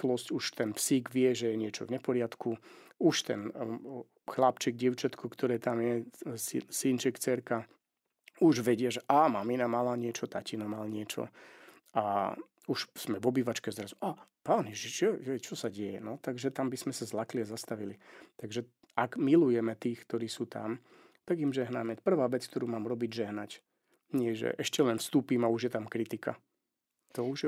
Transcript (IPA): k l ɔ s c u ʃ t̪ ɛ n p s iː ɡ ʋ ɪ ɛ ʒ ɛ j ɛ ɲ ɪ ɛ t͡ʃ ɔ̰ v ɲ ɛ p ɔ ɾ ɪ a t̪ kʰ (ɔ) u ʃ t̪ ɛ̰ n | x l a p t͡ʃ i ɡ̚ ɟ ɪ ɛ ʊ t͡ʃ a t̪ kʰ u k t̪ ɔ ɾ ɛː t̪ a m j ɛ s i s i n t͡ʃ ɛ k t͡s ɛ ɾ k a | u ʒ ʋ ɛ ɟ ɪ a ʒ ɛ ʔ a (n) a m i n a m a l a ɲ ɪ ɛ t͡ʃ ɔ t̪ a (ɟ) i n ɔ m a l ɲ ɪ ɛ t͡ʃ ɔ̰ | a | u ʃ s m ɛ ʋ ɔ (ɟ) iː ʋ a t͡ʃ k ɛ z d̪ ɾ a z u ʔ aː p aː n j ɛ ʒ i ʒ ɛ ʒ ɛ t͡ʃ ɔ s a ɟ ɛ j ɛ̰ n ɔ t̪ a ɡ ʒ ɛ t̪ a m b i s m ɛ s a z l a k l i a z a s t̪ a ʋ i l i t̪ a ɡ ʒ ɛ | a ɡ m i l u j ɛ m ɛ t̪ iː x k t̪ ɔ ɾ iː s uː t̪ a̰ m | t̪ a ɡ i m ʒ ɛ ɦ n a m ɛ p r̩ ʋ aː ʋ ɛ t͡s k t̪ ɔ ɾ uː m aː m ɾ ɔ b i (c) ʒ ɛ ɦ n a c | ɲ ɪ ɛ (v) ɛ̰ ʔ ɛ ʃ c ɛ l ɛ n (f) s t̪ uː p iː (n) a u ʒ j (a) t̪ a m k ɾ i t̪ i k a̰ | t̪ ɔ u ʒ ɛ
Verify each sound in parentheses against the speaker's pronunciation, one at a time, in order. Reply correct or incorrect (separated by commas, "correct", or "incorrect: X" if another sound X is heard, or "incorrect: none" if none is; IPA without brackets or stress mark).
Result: incorrect: u, incorrect: m, incorrect: c, incorrect: b, incorrect: ɟ, incorrect: ʒ, correct, incorrect: m, incorrect: ɛ